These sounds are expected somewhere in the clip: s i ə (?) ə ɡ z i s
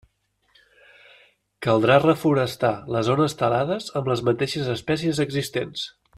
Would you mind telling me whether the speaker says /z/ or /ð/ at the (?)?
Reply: z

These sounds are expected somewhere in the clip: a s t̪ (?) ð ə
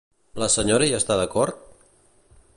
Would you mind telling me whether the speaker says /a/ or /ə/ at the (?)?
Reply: a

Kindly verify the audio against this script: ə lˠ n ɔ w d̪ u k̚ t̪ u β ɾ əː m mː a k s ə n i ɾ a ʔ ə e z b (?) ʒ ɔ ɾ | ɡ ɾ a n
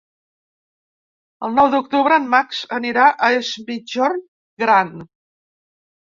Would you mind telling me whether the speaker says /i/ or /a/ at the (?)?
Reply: i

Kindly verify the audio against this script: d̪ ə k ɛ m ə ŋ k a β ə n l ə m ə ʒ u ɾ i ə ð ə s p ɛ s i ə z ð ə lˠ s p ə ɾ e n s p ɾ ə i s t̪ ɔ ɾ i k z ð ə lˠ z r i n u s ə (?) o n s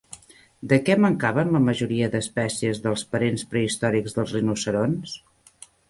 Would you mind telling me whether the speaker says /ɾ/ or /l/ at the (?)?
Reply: ɾ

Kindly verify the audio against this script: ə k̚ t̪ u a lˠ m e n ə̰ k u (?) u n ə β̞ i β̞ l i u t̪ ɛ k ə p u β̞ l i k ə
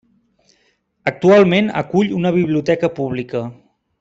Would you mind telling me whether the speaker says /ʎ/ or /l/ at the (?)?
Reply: ʎ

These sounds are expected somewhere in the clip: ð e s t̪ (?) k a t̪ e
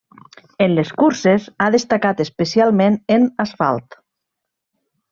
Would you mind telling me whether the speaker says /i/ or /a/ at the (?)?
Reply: a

